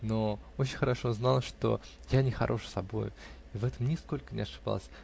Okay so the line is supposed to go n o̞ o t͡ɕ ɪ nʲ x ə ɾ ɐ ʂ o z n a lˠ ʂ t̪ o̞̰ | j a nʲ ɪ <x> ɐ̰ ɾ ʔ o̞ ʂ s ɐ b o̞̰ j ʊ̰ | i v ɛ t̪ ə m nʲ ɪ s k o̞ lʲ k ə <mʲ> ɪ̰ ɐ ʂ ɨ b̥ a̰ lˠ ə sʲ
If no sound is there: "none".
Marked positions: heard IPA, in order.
x, nʲ

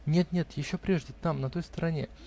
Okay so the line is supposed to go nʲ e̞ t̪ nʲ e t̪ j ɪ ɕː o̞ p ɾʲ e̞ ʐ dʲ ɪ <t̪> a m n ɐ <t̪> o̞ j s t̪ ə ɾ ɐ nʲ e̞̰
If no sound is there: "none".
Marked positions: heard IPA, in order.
t̪, t̪

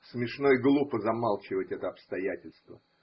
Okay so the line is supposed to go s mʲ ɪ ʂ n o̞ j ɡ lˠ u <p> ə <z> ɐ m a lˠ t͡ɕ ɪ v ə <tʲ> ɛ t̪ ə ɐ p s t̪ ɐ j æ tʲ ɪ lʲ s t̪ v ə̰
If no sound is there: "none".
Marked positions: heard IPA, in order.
p, z, tʲ

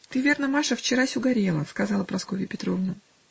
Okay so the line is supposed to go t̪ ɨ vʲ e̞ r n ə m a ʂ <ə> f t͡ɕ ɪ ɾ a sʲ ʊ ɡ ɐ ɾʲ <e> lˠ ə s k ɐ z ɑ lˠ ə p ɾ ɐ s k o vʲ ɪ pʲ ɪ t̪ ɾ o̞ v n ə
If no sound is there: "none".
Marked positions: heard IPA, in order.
ə, e

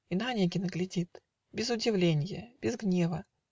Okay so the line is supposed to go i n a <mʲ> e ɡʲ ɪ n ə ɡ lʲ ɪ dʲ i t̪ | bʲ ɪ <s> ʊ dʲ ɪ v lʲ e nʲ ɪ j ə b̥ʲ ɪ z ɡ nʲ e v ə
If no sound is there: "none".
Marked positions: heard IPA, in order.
nʲ, z

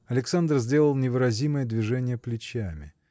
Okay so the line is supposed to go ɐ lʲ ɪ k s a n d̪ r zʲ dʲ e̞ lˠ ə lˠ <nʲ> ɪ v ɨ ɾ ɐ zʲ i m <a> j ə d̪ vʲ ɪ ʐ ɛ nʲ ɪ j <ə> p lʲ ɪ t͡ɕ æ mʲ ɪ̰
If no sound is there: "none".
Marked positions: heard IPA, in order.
nʲ, ə, ə

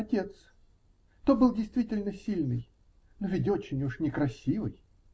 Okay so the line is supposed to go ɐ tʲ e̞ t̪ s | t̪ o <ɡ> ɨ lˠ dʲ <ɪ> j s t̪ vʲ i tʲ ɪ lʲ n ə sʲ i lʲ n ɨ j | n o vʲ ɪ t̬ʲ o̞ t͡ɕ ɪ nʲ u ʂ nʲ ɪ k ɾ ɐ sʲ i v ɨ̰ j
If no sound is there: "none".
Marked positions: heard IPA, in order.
b, ɪ

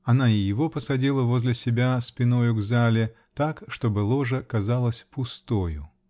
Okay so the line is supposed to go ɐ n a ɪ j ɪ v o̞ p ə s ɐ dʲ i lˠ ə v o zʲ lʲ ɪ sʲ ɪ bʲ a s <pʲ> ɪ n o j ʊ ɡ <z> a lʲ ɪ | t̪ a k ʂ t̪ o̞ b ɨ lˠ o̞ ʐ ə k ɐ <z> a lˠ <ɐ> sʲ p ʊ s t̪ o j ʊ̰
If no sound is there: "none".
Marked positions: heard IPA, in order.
pʲ, z, z, ə

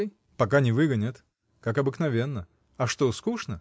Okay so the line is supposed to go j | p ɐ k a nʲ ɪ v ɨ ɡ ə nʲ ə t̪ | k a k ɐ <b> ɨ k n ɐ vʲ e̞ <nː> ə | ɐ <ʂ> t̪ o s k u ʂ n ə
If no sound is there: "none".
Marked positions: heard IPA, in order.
b, nː, ʂ

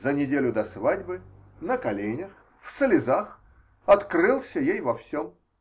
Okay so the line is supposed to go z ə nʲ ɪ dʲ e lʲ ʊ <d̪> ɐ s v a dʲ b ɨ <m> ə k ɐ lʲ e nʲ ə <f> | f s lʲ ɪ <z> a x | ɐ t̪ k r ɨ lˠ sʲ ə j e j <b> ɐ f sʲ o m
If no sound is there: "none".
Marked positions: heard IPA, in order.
d̪, n, x, z, v

